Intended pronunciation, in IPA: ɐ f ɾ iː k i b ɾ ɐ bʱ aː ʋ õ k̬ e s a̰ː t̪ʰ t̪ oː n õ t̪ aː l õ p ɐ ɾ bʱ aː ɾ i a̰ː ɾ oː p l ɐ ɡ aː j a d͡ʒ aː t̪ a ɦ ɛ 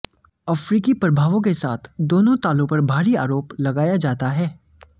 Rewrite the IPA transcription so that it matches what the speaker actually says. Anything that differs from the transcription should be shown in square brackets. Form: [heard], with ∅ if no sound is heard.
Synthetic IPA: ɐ f ɾ iː k i [p] ɾ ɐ bʱ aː ʋ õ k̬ e s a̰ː t̪ʰ [d̪] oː n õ t̪ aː l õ p ɐ ɾ bʱ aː ɾ i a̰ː ɾ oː p l ɐ ɡ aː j a d͡ʒ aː t̪ a ɦ [ɛː]